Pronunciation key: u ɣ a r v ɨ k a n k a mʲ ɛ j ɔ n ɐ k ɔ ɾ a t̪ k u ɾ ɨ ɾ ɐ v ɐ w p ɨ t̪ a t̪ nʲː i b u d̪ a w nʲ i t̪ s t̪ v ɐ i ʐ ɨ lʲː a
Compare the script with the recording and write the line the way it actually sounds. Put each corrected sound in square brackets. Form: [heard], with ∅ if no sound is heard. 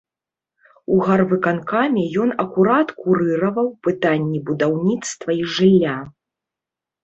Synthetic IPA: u ɣ a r v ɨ k a n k a mʲ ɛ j ɔ n ɐ k [u] ɾ a t̪ k u ɾ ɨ ɾ ɐ v ɐ w p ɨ t̪ a [∅] nʲː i b u d̪ a w nʲ i t̪ s t̪ v ɐ i ʐ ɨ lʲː a